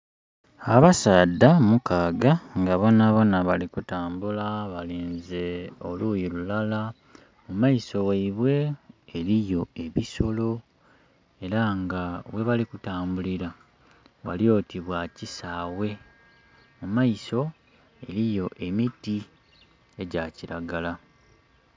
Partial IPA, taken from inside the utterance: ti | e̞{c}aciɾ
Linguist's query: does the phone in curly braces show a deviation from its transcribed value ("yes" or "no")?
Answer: yes